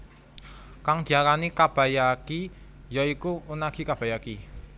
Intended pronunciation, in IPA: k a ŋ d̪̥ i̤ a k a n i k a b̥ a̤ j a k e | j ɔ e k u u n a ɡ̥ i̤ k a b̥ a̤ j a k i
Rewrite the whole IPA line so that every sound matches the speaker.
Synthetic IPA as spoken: k a ŋ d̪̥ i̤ a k a n i k a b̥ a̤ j a k i | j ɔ i k u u n a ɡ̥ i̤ k a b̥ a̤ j a k i